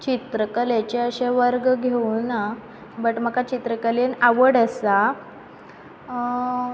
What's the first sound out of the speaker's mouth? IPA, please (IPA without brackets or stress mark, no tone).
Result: t͡ɕ